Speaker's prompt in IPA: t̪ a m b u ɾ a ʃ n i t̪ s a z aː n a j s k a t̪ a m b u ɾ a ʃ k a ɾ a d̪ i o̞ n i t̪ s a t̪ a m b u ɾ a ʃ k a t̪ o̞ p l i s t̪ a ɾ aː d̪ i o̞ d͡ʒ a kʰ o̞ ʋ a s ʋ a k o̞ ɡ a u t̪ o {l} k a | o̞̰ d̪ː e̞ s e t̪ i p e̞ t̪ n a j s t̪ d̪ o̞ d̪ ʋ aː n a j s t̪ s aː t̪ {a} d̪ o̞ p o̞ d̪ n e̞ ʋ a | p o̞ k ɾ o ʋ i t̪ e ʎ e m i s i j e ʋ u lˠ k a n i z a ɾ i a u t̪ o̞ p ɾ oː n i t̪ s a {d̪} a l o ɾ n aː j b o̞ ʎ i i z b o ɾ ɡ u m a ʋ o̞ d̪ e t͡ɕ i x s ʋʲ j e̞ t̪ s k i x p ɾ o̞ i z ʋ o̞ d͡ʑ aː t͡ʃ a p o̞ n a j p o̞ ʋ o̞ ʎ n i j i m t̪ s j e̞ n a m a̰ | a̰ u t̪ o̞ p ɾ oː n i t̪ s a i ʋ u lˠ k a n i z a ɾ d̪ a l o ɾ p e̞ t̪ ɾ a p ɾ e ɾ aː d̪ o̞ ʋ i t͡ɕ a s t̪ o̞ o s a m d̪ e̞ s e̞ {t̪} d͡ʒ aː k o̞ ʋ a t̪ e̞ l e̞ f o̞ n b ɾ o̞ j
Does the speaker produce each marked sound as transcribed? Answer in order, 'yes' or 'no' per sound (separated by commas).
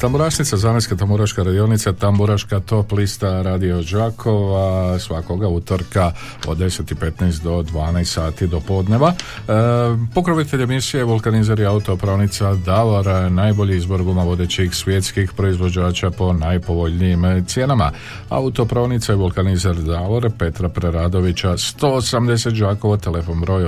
no, no, yes, yes